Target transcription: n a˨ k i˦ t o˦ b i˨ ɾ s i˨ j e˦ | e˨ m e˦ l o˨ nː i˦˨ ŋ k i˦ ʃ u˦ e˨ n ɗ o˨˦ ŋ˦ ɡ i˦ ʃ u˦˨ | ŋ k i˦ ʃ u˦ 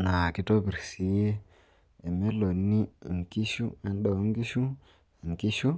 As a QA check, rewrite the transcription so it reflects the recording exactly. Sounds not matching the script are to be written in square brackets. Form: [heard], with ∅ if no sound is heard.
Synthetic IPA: n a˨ k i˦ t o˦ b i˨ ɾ s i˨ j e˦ | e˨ m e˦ l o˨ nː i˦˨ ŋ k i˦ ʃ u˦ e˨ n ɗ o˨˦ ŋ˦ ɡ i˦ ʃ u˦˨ | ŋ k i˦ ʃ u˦

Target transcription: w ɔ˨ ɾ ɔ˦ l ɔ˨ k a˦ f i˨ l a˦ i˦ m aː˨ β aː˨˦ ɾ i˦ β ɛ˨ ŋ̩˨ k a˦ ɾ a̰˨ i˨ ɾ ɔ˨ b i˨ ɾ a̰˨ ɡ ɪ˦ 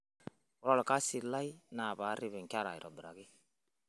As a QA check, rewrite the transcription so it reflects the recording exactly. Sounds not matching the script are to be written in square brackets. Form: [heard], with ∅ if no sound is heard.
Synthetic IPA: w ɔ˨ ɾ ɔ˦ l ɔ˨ k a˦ [s] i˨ l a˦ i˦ [n] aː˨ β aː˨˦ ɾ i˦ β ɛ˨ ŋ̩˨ k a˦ ɾ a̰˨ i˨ ɾ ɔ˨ b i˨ ɾ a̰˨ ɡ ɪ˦

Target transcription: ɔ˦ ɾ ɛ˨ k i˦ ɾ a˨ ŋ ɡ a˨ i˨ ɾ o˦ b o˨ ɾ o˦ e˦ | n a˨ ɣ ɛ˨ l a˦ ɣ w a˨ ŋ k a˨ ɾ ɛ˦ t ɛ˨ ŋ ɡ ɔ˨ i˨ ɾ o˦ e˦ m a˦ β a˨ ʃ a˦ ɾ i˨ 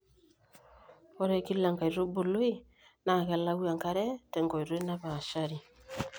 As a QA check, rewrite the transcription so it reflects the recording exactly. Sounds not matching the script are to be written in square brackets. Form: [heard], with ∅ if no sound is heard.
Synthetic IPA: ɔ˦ ɾ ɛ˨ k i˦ [l] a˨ ŋ ɡ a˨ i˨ ɾ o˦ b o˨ [l] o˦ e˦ | n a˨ ɣ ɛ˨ l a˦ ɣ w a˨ ŋ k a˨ ɾ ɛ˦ t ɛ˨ ŋ ɡ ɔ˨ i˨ ɾ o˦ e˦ [n] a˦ β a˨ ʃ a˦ ɾ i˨

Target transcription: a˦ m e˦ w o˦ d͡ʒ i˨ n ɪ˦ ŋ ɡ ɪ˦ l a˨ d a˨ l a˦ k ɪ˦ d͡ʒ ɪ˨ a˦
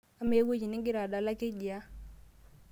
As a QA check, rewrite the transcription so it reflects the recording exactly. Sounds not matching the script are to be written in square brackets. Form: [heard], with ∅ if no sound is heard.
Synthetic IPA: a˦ m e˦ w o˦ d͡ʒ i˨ n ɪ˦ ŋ ɡ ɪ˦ [ɾ] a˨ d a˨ l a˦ k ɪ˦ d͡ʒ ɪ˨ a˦

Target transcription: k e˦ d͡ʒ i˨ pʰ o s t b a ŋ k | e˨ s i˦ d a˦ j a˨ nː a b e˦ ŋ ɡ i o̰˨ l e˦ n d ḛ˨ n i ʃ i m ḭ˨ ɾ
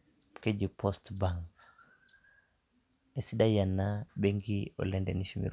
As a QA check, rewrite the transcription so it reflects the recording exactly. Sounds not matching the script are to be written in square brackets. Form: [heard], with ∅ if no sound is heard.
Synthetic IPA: k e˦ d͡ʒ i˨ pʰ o s t b a ŋ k | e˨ s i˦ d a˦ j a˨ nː a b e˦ ŋ ɡ i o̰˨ l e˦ n d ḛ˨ n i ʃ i m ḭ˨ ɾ

